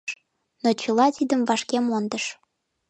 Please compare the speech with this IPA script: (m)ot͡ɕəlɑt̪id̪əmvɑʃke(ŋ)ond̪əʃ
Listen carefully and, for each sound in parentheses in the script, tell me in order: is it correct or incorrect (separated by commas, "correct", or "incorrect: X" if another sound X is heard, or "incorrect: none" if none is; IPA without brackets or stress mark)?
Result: incorrect: n, incorrect: m